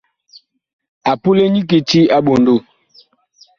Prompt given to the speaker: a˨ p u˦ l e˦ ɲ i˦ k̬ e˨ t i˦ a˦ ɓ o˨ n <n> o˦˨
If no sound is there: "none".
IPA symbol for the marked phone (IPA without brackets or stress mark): d